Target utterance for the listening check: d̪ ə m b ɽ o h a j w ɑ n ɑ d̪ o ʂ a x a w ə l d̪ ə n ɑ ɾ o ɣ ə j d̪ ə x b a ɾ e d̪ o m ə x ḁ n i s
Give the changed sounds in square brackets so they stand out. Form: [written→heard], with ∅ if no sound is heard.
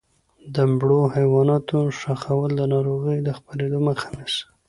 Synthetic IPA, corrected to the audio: d̪ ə m b ɽ o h a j w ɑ n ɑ [d̪→t̪] o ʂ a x a w ə l d̪ ə n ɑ ɾ o ɣ ə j d̪ ə x [b→p] a ɾ e d̪ o m ə x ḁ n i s